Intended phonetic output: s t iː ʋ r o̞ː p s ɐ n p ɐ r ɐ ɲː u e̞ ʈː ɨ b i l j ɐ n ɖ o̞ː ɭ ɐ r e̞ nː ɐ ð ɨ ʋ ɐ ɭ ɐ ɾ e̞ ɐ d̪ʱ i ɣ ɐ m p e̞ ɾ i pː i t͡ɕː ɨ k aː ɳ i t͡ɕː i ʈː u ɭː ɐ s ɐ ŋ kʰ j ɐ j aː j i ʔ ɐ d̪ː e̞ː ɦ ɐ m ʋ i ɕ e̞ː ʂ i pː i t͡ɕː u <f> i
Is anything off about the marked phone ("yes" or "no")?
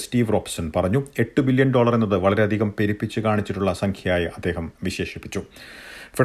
no